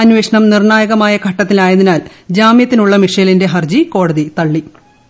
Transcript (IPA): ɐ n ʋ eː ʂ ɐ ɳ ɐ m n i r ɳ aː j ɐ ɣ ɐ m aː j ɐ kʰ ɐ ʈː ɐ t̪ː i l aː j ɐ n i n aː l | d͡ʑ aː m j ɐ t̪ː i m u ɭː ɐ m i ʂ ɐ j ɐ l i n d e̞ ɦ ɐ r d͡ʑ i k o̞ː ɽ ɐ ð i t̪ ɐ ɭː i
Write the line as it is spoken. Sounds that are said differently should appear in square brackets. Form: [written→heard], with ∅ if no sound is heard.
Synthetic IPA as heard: ɐ n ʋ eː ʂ ɐ ɳ ɐ m n i r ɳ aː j ɐ ɣ ɐ m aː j ɐ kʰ ɐ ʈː ɐ t̪ː i l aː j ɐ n i n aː l | d͡ʑ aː m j ɐ t̪ː i [m→n] u ɭː ɐ m i ʂ ɐ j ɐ l i n d e̞ ɦ ɐ r d͡ʑ i k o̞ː ɽ ɐ ð i t̪ ɐ ɭː i